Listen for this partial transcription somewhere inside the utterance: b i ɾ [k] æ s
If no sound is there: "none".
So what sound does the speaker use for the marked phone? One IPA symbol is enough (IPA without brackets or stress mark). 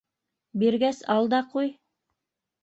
ɡ